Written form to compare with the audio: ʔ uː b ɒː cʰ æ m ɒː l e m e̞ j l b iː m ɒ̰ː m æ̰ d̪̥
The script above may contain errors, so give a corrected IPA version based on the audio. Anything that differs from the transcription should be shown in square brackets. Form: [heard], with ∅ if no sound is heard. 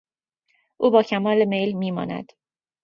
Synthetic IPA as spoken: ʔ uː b ɒː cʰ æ m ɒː l e m e̞ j l [m] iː m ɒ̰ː [n] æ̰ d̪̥